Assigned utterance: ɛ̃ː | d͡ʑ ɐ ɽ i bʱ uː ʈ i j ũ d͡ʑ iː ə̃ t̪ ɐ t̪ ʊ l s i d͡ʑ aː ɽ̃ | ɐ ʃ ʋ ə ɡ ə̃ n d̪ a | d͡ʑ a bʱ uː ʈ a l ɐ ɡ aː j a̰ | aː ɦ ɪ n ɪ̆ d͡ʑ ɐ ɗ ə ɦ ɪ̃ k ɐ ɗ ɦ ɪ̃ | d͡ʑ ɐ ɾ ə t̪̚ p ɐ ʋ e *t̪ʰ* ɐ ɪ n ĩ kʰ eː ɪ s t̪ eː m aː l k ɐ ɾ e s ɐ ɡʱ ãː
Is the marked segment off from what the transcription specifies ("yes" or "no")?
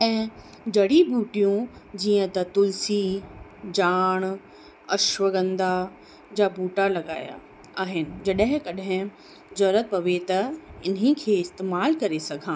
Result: yes